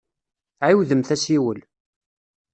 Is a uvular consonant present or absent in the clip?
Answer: absent